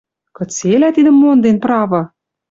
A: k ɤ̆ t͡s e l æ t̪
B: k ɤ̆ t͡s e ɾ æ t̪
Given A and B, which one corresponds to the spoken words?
A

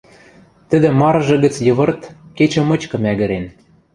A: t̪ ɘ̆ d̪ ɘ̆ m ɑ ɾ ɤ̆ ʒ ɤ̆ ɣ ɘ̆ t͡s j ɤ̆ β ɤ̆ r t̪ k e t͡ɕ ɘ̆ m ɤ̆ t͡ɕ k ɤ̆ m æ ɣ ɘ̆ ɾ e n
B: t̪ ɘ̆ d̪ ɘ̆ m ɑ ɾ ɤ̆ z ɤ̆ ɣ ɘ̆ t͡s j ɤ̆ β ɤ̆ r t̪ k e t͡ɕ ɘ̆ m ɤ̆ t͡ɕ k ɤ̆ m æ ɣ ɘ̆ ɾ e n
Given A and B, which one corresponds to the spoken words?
A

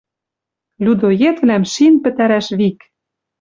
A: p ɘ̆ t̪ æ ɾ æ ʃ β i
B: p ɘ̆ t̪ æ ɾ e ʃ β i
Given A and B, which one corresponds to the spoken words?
A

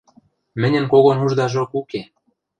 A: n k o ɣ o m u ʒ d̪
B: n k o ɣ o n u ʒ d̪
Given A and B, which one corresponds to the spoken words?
B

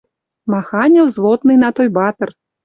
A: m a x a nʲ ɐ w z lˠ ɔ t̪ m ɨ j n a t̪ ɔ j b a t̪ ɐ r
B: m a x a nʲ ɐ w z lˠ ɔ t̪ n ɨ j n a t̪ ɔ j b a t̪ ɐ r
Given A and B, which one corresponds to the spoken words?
B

